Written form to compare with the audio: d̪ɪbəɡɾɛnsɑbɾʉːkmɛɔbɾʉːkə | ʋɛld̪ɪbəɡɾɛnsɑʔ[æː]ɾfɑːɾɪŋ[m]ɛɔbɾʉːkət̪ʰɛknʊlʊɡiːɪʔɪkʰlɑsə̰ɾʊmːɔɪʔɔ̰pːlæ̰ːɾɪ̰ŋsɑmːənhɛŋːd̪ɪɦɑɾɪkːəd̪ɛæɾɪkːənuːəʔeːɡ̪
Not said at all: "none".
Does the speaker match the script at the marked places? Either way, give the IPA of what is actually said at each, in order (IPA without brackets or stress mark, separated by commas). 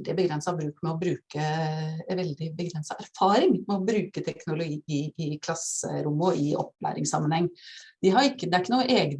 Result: æ, m